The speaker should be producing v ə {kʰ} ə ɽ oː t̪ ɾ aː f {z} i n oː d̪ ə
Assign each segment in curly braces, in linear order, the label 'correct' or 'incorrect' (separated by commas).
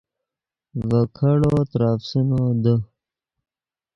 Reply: correct, incorrect